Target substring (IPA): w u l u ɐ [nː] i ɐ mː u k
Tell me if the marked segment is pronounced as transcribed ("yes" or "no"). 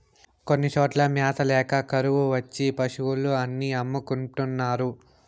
yes